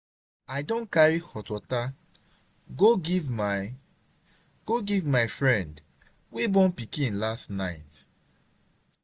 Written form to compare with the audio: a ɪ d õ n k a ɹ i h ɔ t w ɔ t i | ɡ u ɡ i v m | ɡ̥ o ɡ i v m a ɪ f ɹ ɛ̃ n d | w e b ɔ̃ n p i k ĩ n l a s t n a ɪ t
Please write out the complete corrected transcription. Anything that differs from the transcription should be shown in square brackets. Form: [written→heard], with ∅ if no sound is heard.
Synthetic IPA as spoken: a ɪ d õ n k a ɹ i h ɔ t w ɔ t [i→a] | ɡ [u→o] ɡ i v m | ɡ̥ o ɡ i v m a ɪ f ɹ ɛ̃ n d | w e b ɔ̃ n p i k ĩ n l a s t n a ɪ t